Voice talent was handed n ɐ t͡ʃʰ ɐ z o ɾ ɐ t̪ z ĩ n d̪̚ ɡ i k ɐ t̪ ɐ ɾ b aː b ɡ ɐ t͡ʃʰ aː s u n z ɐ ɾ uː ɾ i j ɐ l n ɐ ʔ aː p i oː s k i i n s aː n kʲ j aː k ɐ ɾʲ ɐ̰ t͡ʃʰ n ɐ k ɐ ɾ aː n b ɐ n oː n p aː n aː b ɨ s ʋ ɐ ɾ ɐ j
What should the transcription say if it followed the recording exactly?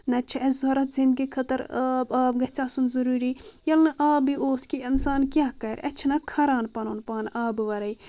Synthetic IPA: n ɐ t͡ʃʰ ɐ z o ɾ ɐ t̪ z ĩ n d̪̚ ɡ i kʰ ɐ t̪ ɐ ɾ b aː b ɡ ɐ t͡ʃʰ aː s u n z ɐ ɾ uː ɾ i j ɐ l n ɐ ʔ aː b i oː s k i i n s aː n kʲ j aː k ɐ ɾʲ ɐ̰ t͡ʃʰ n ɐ kʰ ɐ ɾ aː n p ɐ n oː n p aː n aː b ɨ ʋ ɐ ɾ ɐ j

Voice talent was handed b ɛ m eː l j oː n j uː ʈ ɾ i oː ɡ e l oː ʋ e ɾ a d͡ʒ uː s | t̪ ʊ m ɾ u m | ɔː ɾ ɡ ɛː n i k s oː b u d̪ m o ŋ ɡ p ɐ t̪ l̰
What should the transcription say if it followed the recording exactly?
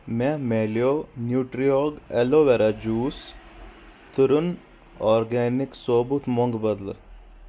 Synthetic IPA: m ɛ m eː l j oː n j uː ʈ ɾ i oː ɡ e l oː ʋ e ɾ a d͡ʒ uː s | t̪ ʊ ɾ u n | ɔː ɾ ɡ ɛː n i k s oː b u t̪ m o ŋ ɡ b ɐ d̪ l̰

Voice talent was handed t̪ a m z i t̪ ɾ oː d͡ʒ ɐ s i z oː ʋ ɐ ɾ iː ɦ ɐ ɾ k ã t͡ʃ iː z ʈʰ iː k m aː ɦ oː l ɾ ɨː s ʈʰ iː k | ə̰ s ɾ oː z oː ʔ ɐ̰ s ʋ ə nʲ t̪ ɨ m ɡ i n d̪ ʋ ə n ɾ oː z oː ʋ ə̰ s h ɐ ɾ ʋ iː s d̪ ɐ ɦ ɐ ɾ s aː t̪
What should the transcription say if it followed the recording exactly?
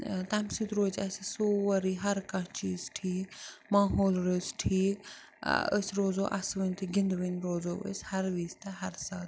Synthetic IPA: t̪ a m s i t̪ ɾ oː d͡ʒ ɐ s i s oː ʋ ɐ ɾ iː ɦ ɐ ɾ k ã t͡ʃ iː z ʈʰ iː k m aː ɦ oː l ɾ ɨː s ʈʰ iː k | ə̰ s ɾ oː z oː ʔ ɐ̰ s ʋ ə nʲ t̪ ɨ ɡ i n d̪ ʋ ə n ɾ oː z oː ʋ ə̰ s h ɐ ɾ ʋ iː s t̪ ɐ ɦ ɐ ɾ s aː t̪

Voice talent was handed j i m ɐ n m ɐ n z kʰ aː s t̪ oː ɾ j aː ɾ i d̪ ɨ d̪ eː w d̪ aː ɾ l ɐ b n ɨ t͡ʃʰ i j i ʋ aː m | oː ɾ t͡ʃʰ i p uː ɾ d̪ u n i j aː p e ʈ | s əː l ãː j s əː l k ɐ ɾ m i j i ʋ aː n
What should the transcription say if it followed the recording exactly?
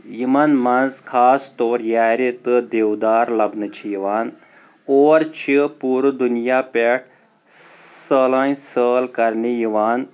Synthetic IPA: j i m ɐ n m ɐ n z kʰ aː s t̪ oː ɾ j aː ɾ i t̪ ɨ d̪ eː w d̪ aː ɾ l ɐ b n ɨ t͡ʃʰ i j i ʋ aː n | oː ɾ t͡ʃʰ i p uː ɾ d̪ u n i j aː p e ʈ | s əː l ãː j s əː l k ɐ ɾ n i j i ʋ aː n

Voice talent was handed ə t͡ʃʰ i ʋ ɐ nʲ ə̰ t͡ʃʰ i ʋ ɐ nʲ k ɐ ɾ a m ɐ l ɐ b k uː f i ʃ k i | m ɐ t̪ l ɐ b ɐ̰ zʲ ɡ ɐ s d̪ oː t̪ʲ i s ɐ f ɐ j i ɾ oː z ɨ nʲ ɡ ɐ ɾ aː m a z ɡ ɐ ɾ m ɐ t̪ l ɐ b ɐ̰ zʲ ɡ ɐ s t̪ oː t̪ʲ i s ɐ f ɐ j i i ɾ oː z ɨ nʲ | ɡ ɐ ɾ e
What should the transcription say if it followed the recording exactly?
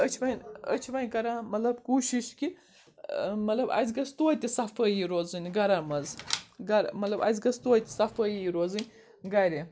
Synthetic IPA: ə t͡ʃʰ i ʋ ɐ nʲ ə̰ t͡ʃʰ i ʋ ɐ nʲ k ɐ ɾ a m ɐ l ɐ b k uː ʃ i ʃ k i | m ɐ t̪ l ɐ b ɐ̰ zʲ ɡ ɐ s t̪ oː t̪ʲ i s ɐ f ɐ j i ɾ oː z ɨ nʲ ɡ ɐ ɾ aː m ɐ z ɡ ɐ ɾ m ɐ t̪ l ɐ b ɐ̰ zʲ ɡ ɐ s t̪ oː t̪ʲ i s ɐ f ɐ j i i ɾ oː z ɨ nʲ | ɡ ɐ ɾ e

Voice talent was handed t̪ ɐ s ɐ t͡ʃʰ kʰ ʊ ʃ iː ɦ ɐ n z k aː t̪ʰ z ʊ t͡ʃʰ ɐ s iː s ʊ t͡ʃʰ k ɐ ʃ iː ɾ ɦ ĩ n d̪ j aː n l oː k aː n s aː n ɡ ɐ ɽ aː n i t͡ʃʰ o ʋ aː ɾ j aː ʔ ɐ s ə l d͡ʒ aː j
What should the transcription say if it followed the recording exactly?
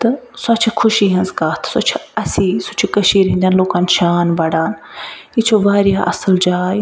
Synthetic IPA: t̪ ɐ s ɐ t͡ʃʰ kʰ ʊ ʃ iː ɦ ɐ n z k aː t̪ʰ s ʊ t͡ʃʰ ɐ s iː s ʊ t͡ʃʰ k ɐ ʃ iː ɾ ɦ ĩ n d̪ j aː n l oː k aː n ʃ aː n b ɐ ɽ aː n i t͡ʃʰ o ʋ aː ɾ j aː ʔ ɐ s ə l d͡ʒ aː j

